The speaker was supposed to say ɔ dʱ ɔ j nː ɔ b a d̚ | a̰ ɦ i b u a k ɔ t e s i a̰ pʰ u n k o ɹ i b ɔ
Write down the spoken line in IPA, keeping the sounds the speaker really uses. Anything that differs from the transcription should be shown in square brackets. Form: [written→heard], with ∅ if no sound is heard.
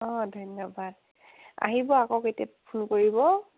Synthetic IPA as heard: ɔ dʱ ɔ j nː ɔ b a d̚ | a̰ ɦ i b [u→ɔ] a k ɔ [t→k] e [s→t] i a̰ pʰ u n k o ɹ i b ɔ